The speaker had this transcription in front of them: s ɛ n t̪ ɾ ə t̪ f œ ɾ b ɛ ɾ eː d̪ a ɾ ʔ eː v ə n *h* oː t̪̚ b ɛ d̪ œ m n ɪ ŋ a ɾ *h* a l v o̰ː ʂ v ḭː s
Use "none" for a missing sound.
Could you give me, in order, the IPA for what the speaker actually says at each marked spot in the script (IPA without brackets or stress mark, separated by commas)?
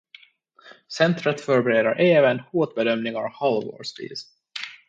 h, h